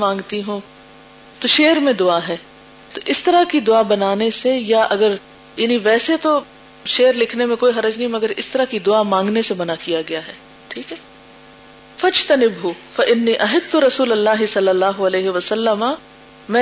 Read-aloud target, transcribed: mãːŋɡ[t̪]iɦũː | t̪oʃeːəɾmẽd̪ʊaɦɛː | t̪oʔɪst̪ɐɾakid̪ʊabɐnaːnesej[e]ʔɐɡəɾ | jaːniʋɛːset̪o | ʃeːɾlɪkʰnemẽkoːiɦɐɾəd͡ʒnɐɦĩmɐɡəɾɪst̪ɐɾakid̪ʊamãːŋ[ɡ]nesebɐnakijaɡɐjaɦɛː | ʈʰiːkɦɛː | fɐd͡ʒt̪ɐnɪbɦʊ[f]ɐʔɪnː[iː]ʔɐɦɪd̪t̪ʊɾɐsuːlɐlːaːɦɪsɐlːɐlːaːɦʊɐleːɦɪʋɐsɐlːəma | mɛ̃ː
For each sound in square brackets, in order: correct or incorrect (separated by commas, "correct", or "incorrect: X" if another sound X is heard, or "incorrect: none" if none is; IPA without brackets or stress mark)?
correct, incorrect: a, correct, correct, correct